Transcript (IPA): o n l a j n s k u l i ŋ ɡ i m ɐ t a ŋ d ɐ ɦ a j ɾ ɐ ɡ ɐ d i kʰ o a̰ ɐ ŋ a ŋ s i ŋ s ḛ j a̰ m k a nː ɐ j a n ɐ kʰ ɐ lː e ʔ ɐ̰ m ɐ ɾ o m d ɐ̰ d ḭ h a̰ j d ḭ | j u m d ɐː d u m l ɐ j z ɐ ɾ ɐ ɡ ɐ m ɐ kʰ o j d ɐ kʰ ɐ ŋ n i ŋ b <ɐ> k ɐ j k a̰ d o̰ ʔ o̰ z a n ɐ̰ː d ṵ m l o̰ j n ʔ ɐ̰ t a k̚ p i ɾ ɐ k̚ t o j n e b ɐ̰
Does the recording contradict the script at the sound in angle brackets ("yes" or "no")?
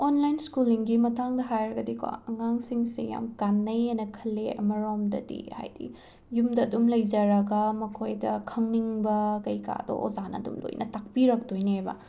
no